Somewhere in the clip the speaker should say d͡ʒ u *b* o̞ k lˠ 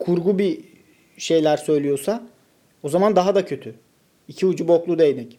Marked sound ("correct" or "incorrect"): correct